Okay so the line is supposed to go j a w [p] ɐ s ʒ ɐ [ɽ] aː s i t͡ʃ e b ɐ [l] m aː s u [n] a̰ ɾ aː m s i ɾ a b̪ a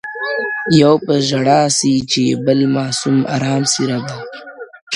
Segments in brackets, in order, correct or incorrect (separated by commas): correct, correct, correct, incorrect